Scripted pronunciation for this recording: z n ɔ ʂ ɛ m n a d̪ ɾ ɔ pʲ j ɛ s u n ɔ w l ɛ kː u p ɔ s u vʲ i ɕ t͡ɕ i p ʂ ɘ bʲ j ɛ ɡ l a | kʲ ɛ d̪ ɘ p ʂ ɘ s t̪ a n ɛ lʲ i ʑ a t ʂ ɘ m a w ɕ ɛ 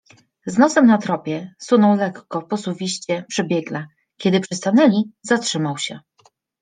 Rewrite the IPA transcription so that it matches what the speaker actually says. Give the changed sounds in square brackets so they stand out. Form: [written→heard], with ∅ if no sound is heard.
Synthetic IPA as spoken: z n ɔ [ʂ→s] ɛ m n a [d̪→t̪] ɾ ɔ pʲ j ɛ s u n ɔ w l ɛ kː [u→ɔ] p ɔ s u vʲ i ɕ t͡ɕ [i→ɛ] p ʂ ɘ bʲ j ɛ ɡ l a | kʲ ɛ d̪ ɘ p ʂ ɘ s t̪ a n ɛ lʲ i [ʑ→z] a t ʂ ɘ m a w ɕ ɛ